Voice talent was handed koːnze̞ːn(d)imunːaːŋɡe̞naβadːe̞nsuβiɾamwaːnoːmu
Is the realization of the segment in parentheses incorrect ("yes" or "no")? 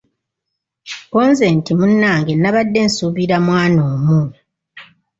yes